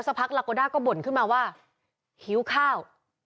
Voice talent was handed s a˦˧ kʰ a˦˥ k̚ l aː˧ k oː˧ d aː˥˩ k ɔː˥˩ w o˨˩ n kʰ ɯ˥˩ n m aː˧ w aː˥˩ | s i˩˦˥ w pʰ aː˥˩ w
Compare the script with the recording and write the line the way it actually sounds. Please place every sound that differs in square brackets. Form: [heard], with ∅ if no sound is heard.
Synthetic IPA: s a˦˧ [pʰ] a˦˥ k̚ l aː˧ k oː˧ d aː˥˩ k ɔː˥˩ [b] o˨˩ n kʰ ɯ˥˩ n m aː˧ w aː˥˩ | [h] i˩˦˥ w [kʰ] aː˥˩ w